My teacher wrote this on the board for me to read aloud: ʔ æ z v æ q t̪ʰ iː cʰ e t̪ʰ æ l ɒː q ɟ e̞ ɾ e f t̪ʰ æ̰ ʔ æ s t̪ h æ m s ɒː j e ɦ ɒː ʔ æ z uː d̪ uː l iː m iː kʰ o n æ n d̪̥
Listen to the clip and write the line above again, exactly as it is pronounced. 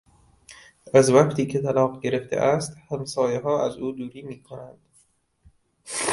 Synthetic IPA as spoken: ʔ æ z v æ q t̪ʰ iː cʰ e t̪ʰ æ l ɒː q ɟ e̞ ɾ e f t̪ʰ ḛ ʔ æ s t̪ h æ m s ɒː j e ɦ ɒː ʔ æ z uː d̪ uː ɾ iː m iː kʰ o n æ n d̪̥